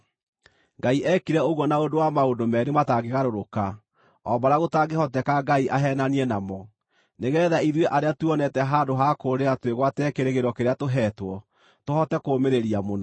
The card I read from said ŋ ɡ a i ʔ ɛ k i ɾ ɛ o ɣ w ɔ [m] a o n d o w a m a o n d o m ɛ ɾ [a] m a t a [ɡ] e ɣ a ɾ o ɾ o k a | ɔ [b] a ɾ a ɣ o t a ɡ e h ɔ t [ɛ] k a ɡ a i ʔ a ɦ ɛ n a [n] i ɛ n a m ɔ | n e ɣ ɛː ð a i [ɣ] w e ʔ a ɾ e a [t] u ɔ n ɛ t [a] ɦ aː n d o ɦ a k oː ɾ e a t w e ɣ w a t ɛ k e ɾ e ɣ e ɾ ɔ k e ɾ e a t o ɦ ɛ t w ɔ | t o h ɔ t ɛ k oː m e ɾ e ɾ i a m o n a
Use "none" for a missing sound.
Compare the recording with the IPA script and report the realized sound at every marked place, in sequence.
n, e, ɡ, b, ɛ, n, ð, t, ɛ

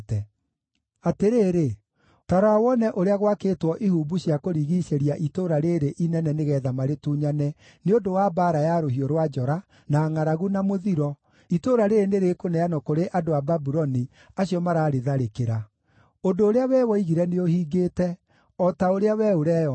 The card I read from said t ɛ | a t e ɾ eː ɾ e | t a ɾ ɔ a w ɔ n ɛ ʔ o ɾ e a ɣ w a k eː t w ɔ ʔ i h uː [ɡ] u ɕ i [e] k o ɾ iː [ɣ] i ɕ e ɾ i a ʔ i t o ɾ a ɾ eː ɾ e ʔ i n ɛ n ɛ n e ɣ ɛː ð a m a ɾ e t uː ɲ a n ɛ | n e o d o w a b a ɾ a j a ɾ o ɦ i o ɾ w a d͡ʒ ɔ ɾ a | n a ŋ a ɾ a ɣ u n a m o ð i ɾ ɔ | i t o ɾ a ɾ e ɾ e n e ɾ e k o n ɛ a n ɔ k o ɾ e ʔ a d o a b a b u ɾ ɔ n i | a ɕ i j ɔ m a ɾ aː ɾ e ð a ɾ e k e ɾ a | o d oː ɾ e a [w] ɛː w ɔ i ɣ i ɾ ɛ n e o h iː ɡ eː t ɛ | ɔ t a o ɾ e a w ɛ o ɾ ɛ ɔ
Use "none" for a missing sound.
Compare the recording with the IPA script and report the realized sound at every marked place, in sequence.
b, a, ɣ, w

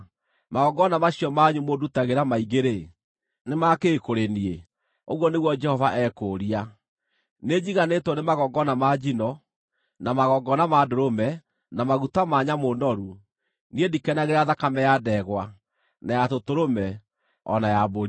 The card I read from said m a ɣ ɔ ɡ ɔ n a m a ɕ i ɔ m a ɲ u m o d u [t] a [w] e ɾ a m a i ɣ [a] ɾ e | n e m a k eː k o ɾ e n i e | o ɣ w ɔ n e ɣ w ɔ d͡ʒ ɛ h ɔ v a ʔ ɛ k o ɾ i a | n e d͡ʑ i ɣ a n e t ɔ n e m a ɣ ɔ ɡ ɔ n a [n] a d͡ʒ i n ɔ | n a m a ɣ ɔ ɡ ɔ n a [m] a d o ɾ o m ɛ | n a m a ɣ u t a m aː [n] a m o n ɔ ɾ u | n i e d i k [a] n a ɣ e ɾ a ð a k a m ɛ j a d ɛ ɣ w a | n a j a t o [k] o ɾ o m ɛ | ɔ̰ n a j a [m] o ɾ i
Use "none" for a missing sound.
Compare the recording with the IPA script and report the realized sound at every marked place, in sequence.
t, ɣ, e, m, m, ɲ, ɛ, t, b

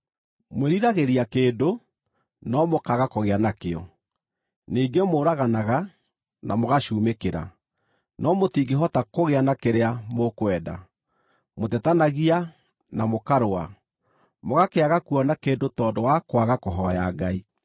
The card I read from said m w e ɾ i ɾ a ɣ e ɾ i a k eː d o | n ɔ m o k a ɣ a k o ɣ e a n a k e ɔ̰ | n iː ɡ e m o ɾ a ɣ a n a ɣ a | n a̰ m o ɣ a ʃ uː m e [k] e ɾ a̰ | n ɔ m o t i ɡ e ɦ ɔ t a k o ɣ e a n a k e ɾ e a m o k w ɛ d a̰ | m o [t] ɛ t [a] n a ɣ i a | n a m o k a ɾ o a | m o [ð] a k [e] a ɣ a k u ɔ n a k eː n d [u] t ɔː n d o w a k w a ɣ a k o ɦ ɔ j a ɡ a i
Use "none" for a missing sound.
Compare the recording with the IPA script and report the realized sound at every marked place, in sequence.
k, t, a, ɣ, e, o

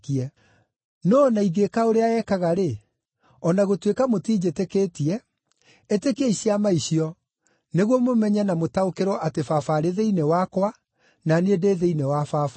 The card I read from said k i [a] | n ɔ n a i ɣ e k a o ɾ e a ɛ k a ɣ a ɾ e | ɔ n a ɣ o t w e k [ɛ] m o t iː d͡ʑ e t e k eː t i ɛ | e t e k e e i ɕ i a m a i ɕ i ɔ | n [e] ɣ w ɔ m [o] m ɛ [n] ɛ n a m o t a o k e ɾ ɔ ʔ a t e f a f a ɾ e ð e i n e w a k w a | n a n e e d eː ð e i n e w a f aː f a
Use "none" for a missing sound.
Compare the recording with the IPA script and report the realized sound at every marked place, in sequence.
ɛ, a, e, o, ɲ

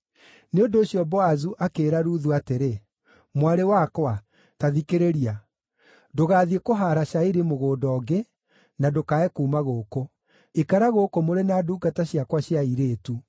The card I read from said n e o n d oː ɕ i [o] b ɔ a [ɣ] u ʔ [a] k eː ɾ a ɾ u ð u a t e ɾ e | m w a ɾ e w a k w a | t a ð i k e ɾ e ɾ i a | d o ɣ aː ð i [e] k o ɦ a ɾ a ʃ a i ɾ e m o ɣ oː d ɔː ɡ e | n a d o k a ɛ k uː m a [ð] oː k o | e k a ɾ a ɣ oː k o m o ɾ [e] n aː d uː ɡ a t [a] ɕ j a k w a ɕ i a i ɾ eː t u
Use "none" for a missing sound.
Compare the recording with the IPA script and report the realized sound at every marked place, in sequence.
ɔ, z, a, e, ɣ, e, a

